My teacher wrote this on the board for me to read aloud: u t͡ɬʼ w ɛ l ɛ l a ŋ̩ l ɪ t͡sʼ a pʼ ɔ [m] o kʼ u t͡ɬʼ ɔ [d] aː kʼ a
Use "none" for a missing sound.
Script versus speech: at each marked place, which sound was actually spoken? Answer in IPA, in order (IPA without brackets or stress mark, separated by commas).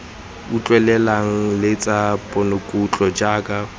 n, d͡ʒ